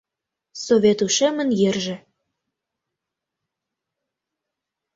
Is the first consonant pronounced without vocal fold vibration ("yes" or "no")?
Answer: yes